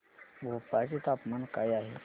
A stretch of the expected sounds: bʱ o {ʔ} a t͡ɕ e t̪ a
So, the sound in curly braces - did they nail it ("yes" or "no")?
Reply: no